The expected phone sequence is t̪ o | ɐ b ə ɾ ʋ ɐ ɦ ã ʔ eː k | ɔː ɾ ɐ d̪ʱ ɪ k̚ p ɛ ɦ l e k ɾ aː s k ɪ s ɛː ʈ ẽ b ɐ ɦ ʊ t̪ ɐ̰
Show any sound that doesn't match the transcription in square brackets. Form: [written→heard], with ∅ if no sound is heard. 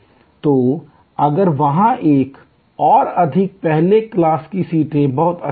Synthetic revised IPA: t̪ o | ɐ [b→ɡ] ə ɾ ʋ ɐ ɦ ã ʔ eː k | ɔː ɾ ɐ d̪ʱ ɪ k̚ p ɛ ɦ l e k [ɾ→l] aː s k [ɪ→i] s [ɛː→iː] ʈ ẽ b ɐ ɦ ʊ t̪ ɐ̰